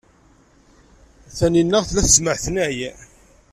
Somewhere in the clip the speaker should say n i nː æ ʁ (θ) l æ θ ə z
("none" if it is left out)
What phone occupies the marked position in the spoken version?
θ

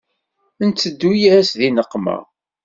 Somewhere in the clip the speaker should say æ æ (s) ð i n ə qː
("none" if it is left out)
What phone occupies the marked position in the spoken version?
s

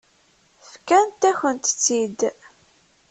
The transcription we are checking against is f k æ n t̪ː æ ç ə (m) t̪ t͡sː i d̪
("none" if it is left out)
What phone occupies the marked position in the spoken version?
n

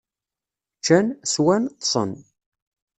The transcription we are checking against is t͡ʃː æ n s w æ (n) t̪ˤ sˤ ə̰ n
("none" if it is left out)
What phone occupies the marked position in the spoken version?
n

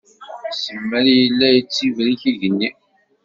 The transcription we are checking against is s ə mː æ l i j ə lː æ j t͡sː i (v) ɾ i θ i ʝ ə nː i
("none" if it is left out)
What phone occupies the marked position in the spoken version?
v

